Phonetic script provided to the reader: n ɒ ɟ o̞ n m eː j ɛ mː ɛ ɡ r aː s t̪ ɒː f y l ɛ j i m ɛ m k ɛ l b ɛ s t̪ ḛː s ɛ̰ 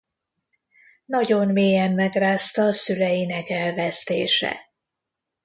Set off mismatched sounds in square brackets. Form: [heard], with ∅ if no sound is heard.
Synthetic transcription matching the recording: n ɒ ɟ o̞ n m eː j ɛ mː ɛ ɡ r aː s t̪ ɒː [s] y l ɛ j i [n] ɛ [∅] k ɛ l [v] ɛ s t̪ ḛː [ʃ] ɛ̰